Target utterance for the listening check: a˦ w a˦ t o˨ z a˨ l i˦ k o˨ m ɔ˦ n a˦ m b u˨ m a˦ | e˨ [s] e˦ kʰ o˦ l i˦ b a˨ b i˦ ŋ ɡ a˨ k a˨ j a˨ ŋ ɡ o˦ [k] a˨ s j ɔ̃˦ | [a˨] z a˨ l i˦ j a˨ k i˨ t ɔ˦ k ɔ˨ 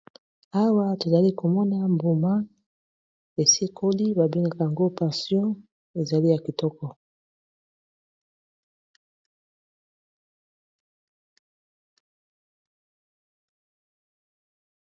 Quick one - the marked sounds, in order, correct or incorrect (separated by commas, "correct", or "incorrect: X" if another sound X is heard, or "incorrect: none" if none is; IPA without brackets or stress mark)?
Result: correct, incorrect: p, incorrect: e˨